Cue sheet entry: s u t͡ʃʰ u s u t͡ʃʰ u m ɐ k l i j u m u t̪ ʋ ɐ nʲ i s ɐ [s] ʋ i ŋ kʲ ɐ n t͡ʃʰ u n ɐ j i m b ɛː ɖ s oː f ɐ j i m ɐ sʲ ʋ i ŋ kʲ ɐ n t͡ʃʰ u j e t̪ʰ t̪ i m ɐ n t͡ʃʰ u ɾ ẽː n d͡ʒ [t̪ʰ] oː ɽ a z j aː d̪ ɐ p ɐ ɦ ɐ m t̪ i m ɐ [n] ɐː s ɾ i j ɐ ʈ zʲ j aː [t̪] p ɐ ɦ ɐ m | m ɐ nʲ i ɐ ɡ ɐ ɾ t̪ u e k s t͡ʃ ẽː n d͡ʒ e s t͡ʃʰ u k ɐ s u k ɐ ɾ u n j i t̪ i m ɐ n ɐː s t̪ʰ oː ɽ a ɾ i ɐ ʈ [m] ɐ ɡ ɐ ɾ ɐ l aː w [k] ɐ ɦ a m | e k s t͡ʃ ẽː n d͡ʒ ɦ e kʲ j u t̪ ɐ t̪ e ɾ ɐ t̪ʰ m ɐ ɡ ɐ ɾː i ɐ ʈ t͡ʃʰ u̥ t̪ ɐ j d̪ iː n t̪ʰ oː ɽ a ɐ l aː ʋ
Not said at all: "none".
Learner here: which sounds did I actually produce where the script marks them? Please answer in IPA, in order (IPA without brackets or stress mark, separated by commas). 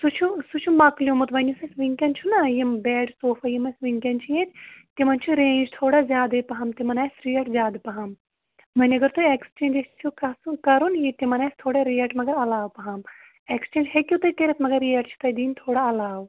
s, t̪ʰ, n, d̪, m, p